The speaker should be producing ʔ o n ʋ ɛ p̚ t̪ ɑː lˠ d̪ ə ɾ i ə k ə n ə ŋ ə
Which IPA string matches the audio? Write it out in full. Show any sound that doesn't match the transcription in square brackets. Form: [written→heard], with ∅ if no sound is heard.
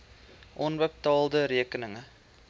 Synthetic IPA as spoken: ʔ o n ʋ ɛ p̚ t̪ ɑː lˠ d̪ ə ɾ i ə k ə n ə ŋ ə